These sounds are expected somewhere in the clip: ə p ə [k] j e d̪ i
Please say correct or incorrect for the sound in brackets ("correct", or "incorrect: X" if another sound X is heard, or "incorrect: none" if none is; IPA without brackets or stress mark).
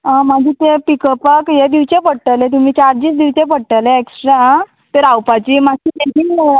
correct